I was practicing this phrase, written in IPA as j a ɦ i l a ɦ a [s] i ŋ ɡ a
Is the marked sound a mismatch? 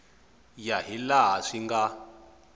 yes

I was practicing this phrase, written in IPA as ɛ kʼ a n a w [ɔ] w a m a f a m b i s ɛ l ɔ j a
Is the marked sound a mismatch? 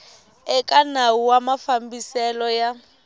yes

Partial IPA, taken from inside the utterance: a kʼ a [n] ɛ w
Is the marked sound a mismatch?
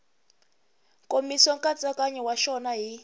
yes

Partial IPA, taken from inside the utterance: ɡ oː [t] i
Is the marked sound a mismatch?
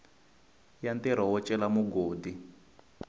yes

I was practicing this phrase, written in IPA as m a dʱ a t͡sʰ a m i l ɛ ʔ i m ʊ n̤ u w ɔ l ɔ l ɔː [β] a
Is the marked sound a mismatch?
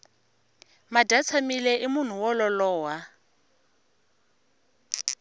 yes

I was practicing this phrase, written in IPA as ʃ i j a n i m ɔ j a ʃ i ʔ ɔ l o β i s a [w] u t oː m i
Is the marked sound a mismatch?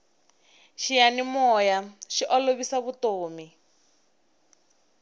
yes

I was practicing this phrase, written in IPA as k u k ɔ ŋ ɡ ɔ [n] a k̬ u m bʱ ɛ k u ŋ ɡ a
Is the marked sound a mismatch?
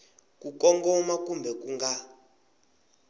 yes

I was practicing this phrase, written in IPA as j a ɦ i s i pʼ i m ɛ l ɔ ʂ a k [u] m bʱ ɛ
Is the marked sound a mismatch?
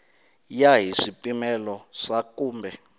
yes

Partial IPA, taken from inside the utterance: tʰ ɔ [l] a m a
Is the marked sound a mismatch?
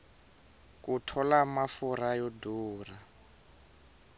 no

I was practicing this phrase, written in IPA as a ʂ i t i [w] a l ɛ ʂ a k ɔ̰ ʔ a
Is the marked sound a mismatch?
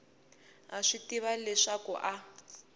yes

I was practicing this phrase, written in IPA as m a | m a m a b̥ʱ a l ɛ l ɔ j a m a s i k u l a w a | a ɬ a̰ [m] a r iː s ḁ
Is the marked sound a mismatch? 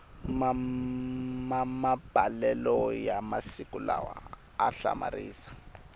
no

